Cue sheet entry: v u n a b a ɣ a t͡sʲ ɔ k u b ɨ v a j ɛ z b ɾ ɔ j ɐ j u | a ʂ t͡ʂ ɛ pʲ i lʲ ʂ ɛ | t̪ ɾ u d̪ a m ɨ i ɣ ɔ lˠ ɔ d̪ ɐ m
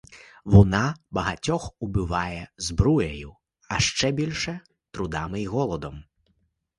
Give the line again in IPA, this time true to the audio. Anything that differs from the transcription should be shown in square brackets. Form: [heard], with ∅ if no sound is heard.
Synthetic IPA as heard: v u n a b [ɐ] ɣ a t͡sʲ ɔ [x] u b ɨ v a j ɛ z b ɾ [u] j ɐ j u | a ʂ t͡ʂ ɛ [bʲ] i lʲ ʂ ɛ | t̪ ɾ u d̪ a m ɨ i ɣ ɔ lˠ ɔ d̪ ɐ m

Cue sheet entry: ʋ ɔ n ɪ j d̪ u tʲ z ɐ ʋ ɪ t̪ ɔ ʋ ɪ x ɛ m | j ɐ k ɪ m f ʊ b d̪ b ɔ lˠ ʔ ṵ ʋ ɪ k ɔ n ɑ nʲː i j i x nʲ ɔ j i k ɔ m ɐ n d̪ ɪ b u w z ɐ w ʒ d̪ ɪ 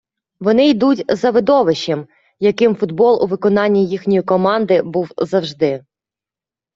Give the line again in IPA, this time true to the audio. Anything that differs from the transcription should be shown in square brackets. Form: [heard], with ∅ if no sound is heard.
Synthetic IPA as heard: ʋ ɔ n ɪ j d̪ u tʲ z ɐ ʋ ɪ [d̪] ɔ ʋ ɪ [ʃ] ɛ m | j ɐ k ɪ m f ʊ [∅] d̪ b ɔ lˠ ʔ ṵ ʋ ɪ k ɔ n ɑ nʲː i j i x nʲ ɔ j i k ɔ m [ɑ] n d̪ ɪ b u w z ɐ w ʒ d̪ ɪ

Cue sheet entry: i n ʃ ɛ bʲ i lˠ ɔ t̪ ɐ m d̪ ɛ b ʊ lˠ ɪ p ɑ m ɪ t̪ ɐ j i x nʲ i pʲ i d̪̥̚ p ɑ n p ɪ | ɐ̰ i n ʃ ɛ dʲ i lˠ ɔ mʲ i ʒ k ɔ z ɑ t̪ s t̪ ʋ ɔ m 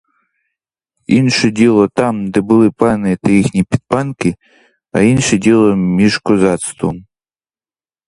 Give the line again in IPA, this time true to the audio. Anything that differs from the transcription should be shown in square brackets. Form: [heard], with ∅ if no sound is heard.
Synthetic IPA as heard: i n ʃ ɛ [dʲ] i lˠ ɔ t̪ [ɑ] m d̪ ɛ b ʊ lˠ ɪ p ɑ [n] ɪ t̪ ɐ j i x nʲ i pʲ i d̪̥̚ p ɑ n [k] ɪ | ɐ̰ i n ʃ ɛ dʲ i lˠ ɔ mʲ i ʒ k ɔ z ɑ t̪ s t̪ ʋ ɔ m

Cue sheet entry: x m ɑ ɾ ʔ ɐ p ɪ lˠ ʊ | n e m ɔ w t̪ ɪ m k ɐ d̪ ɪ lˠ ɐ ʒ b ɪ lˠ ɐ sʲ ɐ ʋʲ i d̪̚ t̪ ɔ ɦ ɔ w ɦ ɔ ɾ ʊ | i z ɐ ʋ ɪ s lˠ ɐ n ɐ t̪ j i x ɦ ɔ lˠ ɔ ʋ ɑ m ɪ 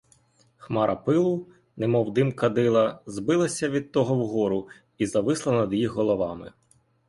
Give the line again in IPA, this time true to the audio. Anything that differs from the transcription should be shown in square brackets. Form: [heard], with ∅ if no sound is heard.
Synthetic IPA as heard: x m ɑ ɾ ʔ ɐ p ɪ lˠ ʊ | n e m ɔ w [d̪] ɪ m k ɐ d̪ ɪ lˠ ɐ [z] b ɪ lˠ ɐ sʲ ɐ ʋʲ i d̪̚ t̪ ɔ ɦ ɔ w ɦ ɔ ɾ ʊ | i z ɐ ʋ ɪ s lˠ ɐ n ɐ [d̪] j i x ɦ ɔ lˠ ɔ ʋ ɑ m ɪ

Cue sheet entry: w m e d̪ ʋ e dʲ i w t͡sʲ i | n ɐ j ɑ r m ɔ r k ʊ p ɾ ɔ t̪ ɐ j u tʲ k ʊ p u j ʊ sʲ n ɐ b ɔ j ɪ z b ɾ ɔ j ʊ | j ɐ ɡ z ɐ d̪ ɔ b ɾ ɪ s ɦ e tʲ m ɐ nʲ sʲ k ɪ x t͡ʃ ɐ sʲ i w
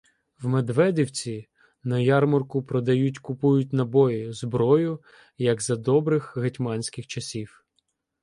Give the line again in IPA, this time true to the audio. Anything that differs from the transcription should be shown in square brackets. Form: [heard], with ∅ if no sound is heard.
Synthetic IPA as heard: w m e d̪ ʋ [ɛ] dʲ i w t͡sʲ i | n ɐ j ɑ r m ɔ r k ʊ p ɾ ɔ [d̪] ɐ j u tʲ k ʊ p u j ʊ [tʲ] n ɐ b ɔ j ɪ z b ɾ ɔ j ʊ | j ɐ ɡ z ɐ d̪ ɔ b ɾ ɪ [x] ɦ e tʲ m [ɑ] nʲ sʲ k ɪ x t͡ʃ ɐ sʲ i w

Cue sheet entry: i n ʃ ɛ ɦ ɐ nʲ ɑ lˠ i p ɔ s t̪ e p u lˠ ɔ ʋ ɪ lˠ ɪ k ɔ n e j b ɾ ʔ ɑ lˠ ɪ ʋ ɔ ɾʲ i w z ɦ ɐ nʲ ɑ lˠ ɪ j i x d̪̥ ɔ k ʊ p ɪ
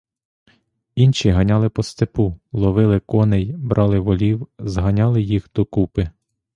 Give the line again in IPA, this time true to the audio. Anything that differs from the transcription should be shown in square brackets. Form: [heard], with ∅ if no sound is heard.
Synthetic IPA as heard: i n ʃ [i] ɦ ɐ nʲ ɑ lˠ [ɪ] p ɔ s t̪ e p u lˠ ɔ ʋ ɪ lˠ ɪ k ɔ n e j b ɾ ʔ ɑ lˠ ɪ ʋ ɔ [lʲ] i w z ɦ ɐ nʲ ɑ lˠ ɪ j i x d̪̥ ɔ k [u] p ɪ

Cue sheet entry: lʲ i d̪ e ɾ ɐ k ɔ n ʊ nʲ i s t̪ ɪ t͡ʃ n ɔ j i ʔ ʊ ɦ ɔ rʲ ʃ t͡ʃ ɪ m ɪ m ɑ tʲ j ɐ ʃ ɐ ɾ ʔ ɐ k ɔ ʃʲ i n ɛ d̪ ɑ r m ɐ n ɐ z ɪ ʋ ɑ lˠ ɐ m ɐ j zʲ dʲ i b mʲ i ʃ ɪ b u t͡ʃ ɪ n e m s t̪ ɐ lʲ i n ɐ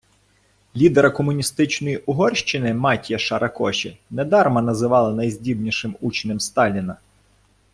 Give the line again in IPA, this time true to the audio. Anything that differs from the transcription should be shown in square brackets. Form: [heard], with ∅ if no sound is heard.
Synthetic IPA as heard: lʲ i d̪ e ɾ ɐ k ɔ [m] ʊ nʲ i s t̪ ɪ t͡ʃ n ɔ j i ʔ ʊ ɦ ɔ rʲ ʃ t͡ʃ ɪ [n] ɪ m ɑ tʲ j ɐ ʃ ɐ ɾ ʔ ɐ k ɔ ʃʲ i n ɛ d̪ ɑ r m ɐ n ɐ z ɪ ʋ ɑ lˠ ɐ [n] ɐ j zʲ dʲ i b [nʲ] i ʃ ɪ [m] u t͡ʃ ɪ n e m s t̪ [ɑ] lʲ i n ɐ

